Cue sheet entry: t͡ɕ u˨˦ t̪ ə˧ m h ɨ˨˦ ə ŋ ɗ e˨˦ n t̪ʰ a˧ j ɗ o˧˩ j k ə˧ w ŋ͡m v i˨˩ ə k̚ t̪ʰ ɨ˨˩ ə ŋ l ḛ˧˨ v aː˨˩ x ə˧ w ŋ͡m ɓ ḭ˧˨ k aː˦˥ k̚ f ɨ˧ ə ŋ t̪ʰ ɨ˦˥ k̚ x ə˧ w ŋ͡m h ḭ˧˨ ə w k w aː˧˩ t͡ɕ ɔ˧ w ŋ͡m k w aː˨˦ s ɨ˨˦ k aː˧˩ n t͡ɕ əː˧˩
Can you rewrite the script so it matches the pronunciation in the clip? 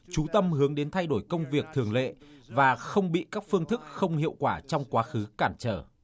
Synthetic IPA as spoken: t͡ɕ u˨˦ t̪ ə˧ m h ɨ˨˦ ə ŋ ɗ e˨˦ n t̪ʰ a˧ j ɗ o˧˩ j k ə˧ w ŋ͡m v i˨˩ ə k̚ t̪ʰ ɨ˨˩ ə ŋ l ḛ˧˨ v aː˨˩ x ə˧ w ŋ͡m ɓ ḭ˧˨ k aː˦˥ k̚ f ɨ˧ ə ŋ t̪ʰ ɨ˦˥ k̚ x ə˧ w ŋ͡m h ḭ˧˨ ə w k w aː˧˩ t͡ɕ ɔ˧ w ŋ͡m k w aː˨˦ x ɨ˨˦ k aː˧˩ n t͡ɕ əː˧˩